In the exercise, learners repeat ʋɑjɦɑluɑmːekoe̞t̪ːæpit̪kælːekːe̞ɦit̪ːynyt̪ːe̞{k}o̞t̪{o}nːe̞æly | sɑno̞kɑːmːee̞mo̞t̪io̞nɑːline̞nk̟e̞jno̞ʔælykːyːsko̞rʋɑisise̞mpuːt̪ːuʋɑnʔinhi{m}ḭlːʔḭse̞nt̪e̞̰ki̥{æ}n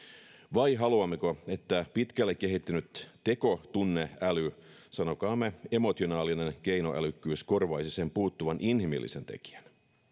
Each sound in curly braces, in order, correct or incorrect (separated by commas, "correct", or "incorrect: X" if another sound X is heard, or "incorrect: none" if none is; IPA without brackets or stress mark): correct, incorrect: u, correct, correct